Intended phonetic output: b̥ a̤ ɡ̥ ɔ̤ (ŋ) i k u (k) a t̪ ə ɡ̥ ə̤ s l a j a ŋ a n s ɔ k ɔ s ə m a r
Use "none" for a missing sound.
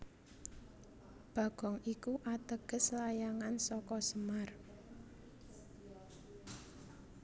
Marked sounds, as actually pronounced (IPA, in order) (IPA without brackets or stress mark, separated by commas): ŋ, ʔ